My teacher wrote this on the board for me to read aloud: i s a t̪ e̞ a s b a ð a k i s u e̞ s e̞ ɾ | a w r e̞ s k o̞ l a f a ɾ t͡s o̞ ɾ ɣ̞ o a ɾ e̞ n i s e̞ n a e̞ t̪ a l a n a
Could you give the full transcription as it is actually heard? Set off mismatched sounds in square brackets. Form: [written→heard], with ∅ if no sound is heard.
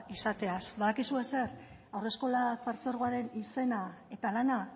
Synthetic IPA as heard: i s a t̪ e̞ a s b a ð a k i s u e̞ s e̞ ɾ | a w r e̞ s k o̞ l a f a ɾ t͡s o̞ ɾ ɣ̞ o a ɾ e̞ n i s e̞ n a e̞ t̪ a l a n a